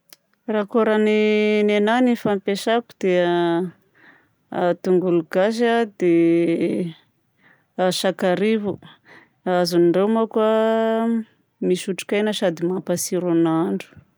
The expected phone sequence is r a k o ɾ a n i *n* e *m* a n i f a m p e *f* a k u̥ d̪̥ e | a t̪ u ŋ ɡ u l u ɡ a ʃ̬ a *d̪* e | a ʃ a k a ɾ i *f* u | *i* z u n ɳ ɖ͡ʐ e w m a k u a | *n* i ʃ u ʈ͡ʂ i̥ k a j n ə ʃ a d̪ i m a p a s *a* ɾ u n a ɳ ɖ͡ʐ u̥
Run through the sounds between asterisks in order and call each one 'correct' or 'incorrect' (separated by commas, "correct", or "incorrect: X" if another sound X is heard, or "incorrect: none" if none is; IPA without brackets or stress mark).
correct, incorrect: n, incorrect: ʃ, correct, incorrect: v, incorrect: a, incorrect: m, incorrect: i